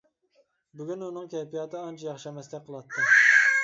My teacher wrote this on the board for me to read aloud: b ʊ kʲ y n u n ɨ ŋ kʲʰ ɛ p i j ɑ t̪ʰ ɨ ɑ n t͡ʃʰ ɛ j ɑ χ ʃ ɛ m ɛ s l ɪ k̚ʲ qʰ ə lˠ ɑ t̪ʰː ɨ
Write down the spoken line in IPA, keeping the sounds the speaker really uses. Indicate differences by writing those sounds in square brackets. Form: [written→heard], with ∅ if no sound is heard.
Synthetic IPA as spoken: b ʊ [kʲ→ɡʲ] y n u n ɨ ŋ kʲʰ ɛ p i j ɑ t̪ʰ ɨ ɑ n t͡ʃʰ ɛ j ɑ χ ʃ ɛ m ɛ s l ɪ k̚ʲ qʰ ə lˠ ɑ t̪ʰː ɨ